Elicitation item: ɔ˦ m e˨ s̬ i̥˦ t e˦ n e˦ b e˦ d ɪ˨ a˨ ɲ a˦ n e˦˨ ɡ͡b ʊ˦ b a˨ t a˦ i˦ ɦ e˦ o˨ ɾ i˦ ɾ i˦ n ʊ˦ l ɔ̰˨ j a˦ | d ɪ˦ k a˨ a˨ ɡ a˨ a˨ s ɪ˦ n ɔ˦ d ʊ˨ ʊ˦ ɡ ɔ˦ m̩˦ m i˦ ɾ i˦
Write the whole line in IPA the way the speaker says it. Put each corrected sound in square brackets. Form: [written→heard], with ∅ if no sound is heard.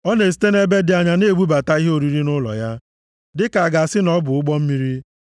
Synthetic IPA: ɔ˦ [m→n] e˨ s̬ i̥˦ t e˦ n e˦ b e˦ d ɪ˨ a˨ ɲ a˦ n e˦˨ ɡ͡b [ʊ˦→u˦] b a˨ t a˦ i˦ ɦ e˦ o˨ ɾ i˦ ɾ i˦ n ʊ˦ l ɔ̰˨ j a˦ | d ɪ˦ k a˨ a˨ ɡ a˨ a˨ s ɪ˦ n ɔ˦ [d→b] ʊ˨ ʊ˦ [ɡ→ɡ͡b] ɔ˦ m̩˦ m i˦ ɾ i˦